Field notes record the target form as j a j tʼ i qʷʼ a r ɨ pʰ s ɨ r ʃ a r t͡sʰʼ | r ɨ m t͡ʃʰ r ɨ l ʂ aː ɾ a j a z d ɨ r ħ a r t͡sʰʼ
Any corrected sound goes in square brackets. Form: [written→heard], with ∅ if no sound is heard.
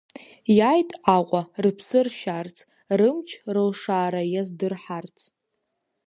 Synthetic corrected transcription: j a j tʼ [i→a] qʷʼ a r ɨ pʰ s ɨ r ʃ a r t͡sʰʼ | r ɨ m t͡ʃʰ r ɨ l ʂ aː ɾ a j a z d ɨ r ħ a r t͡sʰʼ